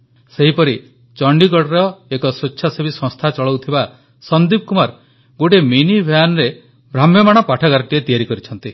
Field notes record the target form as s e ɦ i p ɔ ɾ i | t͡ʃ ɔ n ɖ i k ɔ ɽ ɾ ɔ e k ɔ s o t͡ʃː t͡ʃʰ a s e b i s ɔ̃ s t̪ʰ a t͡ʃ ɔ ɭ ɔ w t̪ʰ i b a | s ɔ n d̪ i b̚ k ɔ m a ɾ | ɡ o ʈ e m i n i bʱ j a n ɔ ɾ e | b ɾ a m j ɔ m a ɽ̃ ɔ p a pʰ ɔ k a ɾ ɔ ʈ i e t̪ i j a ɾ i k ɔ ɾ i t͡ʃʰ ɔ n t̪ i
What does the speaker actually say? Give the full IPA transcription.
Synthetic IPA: s e ɦ i p ɔ ɾ i | t͡ʃ ɔ ɳ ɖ i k ɔ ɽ ɾ ɔ e k ɔ s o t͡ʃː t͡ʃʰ a s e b i s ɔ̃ s t̪ʰ a t͡ʃ ɔ ɭ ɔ w t̪ʰ i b a | s ɔ n d̪ i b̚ k u m a ɾ | ɡ o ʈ e m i n i bʱ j a n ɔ ɾ e | b ɾ a m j ɔ m a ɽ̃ ɔ p a ʈʰ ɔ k a ɾ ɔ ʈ i e t̪ i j a ɾ i k ɔ ɾ i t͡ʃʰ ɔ n t̪ i